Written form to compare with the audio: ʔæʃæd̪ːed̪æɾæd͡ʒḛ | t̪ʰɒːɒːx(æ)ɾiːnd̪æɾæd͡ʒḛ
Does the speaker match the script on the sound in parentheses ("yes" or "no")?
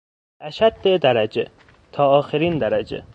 no